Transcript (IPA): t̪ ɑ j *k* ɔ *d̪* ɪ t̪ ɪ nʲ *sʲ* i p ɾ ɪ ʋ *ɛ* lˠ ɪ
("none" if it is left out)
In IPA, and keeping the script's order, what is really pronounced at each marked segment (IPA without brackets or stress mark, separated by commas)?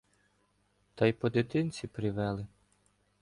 p, d̪, t͡sʲ, ɛ